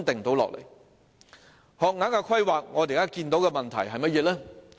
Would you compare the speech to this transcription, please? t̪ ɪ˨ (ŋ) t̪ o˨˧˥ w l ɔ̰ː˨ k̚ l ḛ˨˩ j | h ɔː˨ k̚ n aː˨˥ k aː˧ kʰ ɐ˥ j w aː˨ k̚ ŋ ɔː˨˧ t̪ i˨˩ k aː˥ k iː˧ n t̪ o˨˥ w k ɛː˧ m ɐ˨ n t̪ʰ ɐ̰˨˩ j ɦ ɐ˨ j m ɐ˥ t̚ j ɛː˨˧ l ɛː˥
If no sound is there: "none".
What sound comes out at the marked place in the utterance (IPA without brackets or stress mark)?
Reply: ŋ